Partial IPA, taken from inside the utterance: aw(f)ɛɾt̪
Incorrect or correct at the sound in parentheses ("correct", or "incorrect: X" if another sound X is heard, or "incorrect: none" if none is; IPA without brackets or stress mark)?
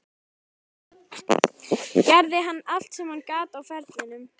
correct